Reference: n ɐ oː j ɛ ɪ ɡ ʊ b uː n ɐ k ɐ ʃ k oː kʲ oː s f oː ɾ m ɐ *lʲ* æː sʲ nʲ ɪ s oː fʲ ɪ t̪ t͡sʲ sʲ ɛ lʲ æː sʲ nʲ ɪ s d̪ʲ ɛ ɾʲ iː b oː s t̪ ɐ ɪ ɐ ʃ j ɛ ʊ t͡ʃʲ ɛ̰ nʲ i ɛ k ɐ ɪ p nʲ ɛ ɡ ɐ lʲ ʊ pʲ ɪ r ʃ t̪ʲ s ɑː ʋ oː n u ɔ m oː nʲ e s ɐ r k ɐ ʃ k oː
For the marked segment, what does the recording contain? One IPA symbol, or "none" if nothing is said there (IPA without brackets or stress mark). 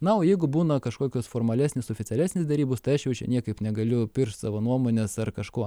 lʲ